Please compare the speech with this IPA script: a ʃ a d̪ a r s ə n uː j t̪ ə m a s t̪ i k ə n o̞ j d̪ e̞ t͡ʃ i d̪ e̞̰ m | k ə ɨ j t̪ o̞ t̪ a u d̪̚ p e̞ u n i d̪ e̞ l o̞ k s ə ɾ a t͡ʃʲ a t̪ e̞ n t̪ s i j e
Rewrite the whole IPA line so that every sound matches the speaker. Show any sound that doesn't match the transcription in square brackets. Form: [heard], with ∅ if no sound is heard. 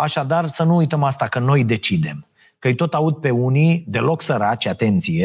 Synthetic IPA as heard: a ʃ a d̪ a r s ə n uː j t̪ ə m a s t̪ [a] k ə n o̞ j d̪ e̞ t͡ʃ i d̪ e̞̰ m | k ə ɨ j t̪ o̞ t̪ a u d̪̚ p e̞ u n i d̪ e̞ l o̞ k s ə ɾ a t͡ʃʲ a t̪ e̞ n t̪ s i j e